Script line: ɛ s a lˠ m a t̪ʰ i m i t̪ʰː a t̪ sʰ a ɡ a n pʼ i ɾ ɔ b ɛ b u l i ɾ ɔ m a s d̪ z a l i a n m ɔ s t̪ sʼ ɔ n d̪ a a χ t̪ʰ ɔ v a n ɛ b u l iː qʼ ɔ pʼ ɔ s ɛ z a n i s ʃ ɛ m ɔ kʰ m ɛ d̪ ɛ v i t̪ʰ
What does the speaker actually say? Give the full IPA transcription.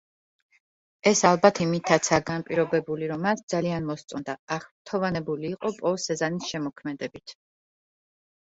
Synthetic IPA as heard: ɛ s a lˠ b a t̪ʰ i m i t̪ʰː a t̪ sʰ a ɡ a n pʼ i ɾ ɔ b ɛ b u l i ɾ ɔ m a s d̪ z a l i a n m ɔ s t̪ sʼ ɔ n d̪ a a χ t̪ʰ ɔ v a n ɛ b u l iː qʼ ɔ pʼ ɔ s ɛ z a n i s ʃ ɛ m ɔ kʰ m ɛ d̪ ɛ b i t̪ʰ